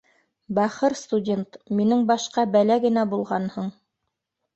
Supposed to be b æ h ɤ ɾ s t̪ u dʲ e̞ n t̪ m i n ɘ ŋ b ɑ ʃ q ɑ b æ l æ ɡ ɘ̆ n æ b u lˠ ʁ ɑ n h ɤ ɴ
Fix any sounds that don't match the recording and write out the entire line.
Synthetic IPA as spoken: b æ χ ɤ ɾ s t̪ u dʲ e̞ n t̪ m i n ɘ ŋ b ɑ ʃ q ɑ b æ l æ ɡ ɘ̆ n æ b u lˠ ʁ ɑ n h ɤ ɴ

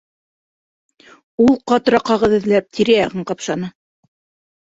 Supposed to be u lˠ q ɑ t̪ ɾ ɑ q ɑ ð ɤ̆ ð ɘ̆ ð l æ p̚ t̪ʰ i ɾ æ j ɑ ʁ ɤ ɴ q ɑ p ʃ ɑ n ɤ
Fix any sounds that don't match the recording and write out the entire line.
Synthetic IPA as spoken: u lˠ q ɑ t̪ ɾ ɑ q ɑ ʁ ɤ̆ ð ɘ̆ ð l æ p̚ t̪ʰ i ɾ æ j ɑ ʁ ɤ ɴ q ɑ p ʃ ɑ n ɤ

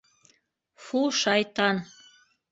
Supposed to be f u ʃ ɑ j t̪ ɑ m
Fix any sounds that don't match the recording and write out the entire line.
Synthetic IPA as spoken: f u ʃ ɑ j t̪ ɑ n

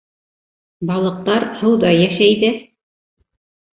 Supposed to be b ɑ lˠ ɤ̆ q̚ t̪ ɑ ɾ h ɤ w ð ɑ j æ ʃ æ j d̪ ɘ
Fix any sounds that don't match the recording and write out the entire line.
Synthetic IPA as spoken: b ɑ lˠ ɤ̆ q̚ t̪ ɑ ɾ h ɤ w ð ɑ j æ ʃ æ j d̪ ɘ

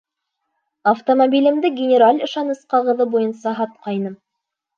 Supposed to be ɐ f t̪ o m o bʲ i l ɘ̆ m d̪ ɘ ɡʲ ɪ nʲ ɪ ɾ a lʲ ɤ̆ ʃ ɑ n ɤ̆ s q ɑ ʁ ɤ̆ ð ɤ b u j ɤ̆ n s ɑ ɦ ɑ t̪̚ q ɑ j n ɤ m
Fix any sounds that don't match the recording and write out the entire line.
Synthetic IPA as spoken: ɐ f t̪ o m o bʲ i l ɘ̆ m d̪ ɘ ɡʲ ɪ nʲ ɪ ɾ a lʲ ɤ̆ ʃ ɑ n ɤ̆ s q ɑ ʁ ɤ̆ ð ɤ b u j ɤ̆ n s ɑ ɦ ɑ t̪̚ q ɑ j n ɤ m

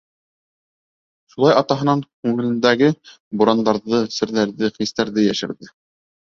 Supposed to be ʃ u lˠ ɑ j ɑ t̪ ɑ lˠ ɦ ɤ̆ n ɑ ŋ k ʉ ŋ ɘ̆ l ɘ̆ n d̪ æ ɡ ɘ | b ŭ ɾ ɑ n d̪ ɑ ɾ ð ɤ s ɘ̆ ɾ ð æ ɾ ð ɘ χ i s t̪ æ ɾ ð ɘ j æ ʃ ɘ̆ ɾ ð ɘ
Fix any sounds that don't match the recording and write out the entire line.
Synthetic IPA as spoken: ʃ u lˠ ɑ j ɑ t̪ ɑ ɦ ɤ̆ n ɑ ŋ k ʉ ŋ ɘ̆ l ɘ̆ n d̪ æ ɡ ɘ | b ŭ ɾ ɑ n d̪ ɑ ɾ ð ɤ s ɘ̆ ɾ ð æ ɾ ð ɘ χ i s t̪ æ ɾ ð ɘ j æ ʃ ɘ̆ ɾ ð ɘ

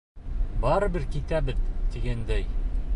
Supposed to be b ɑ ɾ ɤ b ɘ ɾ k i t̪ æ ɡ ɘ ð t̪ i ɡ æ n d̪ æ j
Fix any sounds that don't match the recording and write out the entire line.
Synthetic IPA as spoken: b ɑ ɾ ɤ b ɘ ɾ k i t̪ æ b ɘ ð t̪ i ɡ æ n d̪ æ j

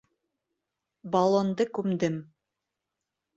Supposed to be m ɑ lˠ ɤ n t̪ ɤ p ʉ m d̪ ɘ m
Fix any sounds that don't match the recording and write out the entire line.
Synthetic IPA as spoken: b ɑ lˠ o n d̪ ɤ k ʉ m d̪ ɘ m

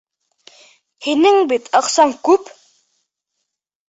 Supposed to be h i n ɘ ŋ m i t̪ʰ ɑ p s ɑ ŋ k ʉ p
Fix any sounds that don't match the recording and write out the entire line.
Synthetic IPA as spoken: h i n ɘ ŋ b i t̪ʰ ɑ q s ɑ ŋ k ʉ p

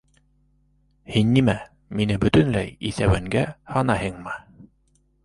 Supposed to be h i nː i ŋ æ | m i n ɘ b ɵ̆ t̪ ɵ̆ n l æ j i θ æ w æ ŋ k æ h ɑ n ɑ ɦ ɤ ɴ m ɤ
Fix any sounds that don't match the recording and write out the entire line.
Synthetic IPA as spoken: h i nː i m æ | m i n ɘ b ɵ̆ t̪ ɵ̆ n l æ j i θ æ w æ ŋ ɡ æ h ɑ n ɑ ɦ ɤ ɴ m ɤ

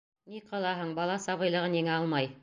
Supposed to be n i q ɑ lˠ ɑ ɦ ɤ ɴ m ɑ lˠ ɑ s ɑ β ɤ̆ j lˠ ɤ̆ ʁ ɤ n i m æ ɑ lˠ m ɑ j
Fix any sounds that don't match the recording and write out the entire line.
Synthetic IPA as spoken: n i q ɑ lˠ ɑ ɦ ɤ ɴ b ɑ lˠ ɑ s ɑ β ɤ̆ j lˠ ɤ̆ ʁ ɤ n i ŋ æ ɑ lˠ m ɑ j

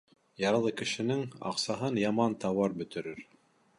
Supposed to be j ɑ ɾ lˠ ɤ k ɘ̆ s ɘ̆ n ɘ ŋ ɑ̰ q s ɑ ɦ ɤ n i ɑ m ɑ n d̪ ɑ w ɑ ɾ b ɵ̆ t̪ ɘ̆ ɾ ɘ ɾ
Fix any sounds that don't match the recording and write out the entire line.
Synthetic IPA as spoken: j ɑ ɾ lˠ ɤ k ɘ̆ ʃ ɘ̆ n ɘ ŋ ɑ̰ q s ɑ ɦ ɤ n j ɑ m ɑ n t̪ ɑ w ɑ ɾ b ɵ̆ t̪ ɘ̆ ɾ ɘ ɾ

